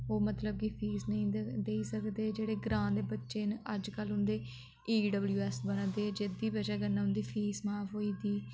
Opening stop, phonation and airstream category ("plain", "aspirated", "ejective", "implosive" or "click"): plain